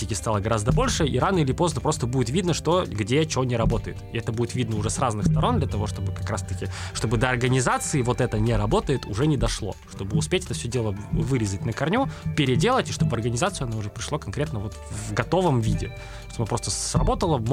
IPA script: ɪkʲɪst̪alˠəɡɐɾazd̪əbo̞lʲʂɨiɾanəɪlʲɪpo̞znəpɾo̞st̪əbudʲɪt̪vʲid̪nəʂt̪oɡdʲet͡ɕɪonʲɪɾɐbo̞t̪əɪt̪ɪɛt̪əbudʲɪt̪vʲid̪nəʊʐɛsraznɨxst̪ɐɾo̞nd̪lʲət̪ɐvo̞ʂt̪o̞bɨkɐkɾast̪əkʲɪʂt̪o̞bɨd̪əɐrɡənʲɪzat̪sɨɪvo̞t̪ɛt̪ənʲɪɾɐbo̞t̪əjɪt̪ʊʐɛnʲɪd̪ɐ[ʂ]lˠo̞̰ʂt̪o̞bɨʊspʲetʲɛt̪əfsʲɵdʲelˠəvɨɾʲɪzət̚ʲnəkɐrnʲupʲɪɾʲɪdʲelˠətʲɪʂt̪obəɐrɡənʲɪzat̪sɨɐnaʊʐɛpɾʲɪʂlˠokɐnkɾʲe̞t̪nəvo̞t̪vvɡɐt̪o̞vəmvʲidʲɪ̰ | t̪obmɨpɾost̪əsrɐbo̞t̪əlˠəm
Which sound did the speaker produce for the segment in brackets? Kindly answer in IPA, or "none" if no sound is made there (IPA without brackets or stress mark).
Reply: ʂ